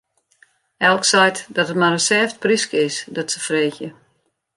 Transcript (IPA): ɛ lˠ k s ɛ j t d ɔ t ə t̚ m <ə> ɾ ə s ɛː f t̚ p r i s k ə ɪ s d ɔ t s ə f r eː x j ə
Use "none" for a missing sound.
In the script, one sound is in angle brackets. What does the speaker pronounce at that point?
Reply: a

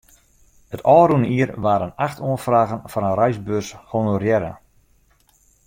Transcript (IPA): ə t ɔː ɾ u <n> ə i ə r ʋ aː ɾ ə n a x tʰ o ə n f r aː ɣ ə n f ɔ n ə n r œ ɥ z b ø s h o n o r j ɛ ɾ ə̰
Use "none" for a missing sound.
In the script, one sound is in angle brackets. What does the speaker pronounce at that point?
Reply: n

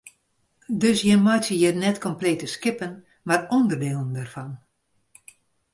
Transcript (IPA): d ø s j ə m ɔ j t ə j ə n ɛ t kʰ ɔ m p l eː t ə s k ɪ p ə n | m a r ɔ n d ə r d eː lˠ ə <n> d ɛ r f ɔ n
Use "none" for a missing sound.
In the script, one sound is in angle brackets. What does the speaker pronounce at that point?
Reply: n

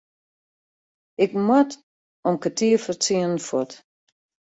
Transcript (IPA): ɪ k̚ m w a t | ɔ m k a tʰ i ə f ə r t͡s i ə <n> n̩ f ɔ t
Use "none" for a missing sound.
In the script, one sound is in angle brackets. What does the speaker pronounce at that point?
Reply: n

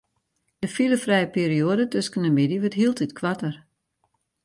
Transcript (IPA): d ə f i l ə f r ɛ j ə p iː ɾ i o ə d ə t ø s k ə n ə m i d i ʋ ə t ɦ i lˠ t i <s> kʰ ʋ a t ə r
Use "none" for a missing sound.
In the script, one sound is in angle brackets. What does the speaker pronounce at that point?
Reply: t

